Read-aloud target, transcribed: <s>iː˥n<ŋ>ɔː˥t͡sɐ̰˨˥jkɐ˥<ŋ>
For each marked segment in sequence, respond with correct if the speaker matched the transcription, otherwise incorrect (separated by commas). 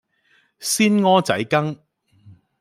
correct, correct, correct